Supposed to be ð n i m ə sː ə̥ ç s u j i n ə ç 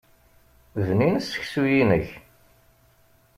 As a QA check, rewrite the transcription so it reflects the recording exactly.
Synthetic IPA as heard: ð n i n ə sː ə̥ ç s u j i n ə ç